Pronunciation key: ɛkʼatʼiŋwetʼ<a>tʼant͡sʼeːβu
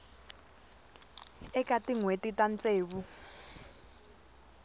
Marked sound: incorrect: i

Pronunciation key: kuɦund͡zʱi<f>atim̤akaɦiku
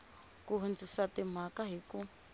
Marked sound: incorrect: s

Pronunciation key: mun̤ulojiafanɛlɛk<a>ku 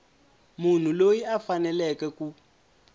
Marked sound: incorrect: ɛ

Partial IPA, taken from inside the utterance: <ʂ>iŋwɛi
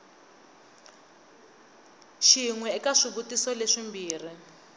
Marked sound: incorrect: ʃ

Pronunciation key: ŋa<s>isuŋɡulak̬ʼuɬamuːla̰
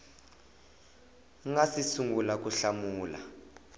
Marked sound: correct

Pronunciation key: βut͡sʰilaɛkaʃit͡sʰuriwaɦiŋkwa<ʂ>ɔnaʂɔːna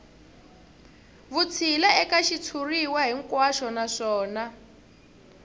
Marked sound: incorrect: ʃ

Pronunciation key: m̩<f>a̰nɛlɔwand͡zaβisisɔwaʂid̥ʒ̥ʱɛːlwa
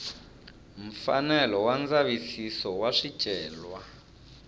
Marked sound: correct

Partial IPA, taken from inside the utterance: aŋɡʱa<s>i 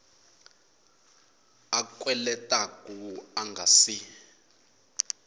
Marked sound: correct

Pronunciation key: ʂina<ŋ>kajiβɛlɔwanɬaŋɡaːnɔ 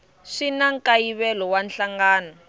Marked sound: correct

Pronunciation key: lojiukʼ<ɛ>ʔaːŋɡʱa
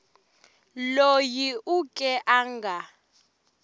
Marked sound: correct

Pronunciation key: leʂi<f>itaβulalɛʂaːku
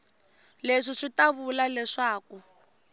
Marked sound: incorrect: ʂ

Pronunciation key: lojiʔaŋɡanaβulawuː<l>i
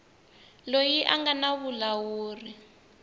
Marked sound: incorrect: r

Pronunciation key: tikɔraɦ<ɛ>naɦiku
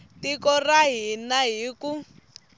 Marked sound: incorrect: i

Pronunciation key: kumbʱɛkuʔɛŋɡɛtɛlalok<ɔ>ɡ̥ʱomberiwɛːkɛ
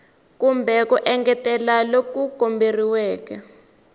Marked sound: incorrect: u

